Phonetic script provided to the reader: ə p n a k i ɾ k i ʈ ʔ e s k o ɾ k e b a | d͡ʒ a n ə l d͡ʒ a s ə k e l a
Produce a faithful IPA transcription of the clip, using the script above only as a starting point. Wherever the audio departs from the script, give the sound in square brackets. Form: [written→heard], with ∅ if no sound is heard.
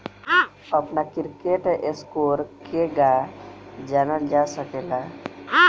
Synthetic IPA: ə p n a k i ɾ k [i→e] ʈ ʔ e s k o ɾ k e [b→ɡ] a | d͡ʒ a n ə l d͡ʒ a s ə k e l a